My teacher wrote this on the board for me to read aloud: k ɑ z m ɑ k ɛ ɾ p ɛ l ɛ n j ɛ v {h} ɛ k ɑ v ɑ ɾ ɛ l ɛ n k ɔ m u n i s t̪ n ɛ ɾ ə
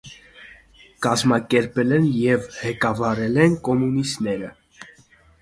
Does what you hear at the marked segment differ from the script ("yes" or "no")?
no